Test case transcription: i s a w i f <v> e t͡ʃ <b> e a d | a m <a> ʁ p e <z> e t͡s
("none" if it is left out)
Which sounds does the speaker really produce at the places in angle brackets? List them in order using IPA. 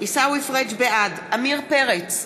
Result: ʁ, b, i, ʁ

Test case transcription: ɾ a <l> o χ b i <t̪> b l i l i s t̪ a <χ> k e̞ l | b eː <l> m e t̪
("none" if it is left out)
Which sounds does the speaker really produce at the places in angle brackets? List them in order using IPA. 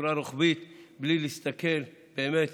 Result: ɾ, t̪, none, none

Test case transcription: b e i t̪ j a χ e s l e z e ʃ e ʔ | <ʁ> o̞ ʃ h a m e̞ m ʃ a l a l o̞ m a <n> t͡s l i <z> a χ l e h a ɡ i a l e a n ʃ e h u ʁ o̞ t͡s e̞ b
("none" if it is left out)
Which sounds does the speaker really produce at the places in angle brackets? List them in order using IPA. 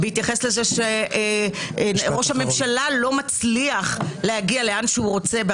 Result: ʁ, none, none

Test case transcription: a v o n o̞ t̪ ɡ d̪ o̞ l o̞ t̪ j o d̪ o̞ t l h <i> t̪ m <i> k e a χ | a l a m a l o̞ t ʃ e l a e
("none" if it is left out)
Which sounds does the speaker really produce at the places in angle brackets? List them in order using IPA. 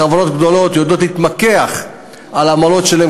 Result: i, a

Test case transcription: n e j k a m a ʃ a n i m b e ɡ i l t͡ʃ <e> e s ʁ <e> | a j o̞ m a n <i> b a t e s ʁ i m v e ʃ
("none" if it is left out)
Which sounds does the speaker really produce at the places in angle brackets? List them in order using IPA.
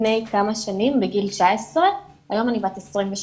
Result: a, e, i

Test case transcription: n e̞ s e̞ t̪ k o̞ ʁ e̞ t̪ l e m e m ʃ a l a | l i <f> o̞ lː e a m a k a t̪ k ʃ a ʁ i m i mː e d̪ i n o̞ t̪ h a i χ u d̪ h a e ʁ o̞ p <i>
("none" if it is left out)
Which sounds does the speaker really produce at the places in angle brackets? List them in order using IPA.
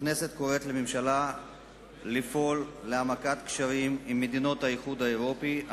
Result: f, i

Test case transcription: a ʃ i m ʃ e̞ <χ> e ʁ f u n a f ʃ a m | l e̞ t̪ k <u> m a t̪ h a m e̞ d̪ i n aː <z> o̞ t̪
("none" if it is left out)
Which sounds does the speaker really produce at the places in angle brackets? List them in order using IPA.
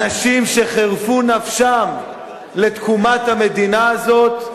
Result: χ, u, z

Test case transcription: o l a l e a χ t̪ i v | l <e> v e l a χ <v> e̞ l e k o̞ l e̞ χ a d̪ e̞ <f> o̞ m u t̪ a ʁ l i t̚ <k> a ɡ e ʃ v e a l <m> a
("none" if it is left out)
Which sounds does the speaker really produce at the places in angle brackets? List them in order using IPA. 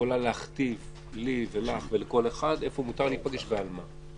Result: i, v, f, p, m

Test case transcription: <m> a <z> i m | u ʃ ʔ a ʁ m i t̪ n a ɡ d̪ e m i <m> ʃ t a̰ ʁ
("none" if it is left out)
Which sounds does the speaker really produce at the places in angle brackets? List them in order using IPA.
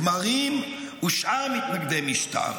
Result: m, ʁ, none

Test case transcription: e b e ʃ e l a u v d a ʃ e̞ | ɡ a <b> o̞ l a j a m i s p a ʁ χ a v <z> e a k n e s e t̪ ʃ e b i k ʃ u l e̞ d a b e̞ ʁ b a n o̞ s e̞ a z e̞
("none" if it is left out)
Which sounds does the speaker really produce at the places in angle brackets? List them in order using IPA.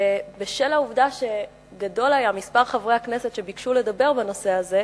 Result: d, ʁ

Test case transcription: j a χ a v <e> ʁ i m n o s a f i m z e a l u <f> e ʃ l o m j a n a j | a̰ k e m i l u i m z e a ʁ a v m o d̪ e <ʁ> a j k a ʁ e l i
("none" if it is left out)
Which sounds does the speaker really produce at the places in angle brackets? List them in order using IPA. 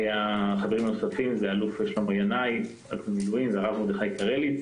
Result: e, f, χ

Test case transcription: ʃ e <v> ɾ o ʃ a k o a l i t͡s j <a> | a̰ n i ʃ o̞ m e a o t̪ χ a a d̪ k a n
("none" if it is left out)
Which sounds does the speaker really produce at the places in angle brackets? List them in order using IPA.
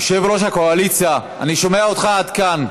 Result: v, a

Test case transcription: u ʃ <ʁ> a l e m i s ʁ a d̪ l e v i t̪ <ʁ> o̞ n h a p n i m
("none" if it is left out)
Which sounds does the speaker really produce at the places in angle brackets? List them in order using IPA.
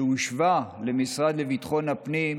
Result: v, χ

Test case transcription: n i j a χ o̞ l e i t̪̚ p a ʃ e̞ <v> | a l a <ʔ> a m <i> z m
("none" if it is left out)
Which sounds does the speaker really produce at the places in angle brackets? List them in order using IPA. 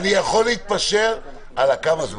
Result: ʁ, k, a

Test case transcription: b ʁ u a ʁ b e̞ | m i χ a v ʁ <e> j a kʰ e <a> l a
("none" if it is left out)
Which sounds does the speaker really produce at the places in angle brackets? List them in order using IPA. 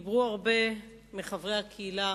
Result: e, i

